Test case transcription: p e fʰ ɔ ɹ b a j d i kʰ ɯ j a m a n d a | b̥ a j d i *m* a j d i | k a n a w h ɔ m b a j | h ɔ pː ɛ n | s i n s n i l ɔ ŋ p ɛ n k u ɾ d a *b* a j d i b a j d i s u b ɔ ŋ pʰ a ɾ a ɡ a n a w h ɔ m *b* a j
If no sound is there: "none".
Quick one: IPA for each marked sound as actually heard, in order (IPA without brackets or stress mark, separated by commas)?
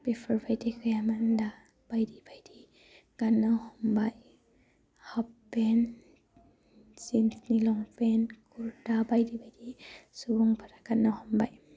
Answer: b, b, b